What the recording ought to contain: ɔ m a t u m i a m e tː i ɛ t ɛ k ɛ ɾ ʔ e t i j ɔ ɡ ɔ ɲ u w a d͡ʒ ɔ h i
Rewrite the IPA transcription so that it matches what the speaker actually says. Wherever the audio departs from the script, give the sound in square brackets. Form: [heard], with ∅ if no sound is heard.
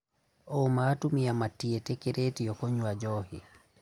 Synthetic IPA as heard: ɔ m a t u m i a m [a] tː i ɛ t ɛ k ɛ ɾ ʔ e t i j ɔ [k] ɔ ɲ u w a d͡ʒ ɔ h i